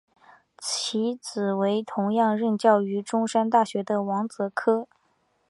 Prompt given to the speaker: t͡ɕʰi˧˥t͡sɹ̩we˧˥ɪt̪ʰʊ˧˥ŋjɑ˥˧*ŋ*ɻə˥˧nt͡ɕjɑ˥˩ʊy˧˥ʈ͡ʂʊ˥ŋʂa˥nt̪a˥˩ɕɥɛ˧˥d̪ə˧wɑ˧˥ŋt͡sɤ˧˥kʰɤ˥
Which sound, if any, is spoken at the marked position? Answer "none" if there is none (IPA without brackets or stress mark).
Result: ŋ